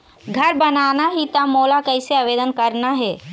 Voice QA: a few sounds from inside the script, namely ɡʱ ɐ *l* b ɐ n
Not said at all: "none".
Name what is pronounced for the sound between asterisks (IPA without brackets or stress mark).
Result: ɾ